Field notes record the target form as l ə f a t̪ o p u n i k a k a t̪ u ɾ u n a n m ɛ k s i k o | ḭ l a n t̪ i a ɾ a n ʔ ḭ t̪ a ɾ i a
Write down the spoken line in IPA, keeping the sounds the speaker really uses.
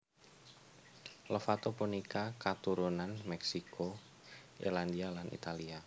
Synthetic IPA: l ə f a t̪ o p u n i k a k a t̪ u ɾ u n a n m ɛ k s i k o | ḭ l a n d̪ i a l a n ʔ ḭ t̪ a l i a